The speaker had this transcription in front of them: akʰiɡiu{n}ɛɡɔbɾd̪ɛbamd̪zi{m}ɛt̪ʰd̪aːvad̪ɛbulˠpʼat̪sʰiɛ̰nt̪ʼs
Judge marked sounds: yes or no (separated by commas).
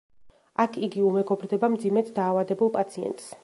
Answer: no, yes